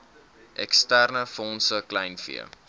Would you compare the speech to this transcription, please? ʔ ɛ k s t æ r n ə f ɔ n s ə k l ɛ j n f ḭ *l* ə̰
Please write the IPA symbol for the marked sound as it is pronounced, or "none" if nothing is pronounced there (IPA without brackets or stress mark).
none